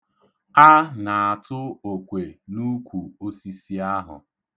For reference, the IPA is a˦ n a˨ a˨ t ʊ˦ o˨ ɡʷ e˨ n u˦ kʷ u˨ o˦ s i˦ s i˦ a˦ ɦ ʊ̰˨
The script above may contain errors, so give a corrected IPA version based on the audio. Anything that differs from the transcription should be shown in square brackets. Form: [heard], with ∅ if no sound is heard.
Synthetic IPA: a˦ n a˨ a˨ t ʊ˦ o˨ [kʷ] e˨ n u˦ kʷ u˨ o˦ s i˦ s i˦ a˦ ɦ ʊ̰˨

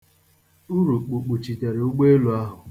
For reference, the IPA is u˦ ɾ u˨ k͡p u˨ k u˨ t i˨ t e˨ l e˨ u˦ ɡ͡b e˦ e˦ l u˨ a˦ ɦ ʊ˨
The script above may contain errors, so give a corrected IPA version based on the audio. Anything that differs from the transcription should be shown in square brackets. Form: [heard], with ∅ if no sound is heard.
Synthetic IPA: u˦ ɾ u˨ k͡p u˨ [k͡p] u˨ [t͡ʃ] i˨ t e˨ [ɾ] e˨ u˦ ɡ͡b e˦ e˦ l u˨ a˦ ɦ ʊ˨

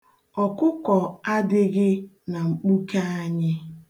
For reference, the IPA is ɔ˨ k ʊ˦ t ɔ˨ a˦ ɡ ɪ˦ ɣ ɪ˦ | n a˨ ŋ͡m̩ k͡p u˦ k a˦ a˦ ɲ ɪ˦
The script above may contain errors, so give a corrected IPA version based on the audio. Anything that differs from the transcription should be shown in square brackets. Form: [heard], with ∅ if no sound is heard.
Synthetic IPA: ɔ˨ k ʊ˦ [k] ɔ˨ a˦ [d] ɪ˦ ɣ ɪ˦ | n a˨ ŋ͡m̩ k͡p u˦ k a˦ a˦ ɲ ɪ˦

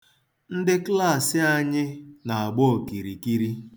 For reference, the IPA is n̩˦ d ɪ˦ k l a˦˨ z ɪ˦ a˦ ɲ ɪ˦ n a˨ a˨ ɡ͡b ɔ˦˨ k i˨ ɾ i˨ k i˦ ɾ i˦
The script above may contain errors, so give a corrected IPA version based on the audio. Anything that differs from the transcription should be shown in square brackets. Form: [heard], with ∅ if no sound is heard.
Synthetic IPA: n̩˦ d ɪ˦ k l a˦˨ [s] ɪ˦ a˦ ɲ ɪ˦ n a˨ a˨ ɡ͡b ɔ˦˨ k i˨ ɾ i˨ k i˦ ɾ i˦

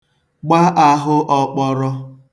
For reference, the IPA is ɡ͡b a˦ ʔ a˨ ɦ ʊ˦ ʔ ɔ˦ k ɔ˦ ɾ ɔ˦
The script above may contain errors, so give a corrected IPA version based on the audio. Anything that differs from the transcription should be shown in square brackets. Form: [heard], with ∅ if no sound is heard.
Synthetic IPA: ɡ͡b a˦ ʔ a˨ ɦ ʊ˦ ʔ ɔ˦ [k͡p] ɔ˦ ɾ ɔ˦

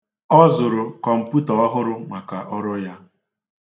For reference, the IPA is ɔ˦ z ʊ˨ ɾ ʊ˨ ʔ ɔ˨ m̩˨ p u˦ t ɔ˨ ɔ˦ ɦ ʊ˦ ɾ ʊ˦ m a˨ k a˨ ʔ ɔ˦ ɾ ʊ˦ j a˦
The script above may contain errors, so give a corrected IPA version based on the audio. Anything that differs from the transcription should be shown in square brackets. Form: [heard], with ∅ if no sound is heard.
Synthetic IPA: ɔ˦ z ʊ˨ ɾ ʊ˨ [k] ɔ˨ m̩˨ p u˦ t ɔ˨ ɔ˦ ɦ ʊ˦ ɾ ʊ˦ m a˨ k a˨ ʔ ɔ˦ ɾ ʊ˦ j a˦

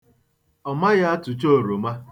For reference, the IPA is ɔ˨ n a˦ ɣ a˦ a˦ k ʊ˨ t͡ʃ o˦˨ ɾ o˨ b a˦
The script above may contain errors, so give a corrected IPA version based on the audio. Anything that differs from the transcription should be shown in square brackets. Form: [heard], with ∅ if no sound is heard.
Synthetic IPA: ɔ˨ [m] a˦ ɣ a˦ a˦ [t] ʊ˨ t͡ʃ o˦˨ ɾ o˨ [m] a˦

